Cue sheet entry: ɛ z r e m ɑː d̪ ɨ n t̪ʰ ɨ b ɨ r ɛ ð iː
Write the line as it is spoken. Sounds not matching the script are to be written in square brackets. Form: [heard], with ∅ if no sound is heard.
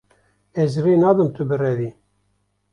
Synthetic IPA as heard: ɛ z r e [n] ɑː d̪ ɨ [m] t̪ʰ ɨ b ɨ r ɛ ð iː